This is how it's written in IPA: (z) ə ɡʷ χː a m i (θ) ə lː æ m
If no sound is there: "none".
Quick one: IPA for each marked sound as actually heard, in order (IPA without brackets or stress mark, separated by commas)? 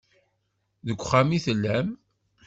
ð, θ